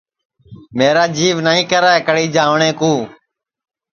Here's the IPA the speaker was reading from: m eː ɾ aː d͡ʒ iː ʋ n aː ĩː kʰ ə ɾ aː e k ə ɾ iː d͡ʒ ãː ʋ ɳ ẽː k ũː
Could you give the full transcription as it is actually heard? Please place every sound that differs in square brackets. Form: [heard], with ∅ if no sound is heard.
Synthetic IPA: m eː ɾ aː d͡ʒ iː ʋ n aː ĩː [k] ə ɾ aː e k ə [ɽ] iː d͡ʒ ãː ʋ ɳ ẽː k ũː